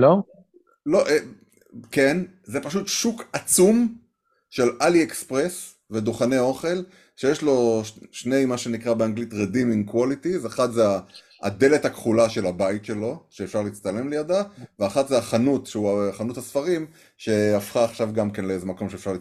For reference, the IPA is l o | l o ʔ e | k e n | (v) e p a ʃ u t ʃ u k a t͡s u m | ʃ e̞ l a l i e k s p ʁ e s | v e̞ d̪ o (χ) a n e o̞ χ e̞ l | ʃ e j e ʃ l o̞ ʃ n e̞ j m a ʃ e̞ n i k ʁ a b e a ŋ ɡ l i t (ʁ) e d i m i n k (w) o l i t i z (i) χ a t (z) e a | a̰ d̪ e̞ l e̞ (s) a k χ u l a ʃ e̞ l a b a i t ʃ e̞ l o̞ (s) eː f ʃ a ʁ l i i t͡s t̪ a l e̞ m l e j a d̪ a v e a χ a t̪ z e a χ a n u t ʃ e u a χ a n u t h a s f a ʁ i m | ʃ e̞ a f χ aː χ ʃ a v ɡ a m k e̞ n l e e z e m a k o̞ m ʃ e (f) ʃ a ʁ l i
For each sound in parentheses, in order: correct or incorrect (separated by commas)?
incorrect, correct, correct, correct, incorrect, correct, incorrect, incorrect, correct